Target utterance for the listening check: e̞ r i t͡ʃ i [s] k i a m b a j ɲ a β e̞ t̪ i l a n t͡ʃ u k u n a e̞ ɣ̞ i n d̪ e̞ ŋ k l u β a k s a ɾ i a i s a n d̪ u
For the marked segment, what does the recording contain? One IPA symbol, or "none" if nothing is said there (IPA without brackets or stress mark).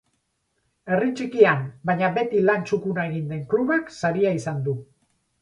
none